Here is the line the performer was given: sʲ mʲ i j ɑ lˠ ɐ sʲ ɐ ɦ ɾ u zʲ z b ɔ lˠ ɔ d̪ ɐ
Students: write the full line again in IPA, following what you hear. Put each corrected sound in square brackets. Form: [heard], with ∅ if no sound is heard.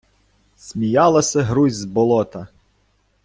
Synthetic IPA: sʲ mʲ i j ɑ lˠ ɐ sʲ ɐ ɦ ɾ u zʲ z b ɔ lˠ ɔ [t̪] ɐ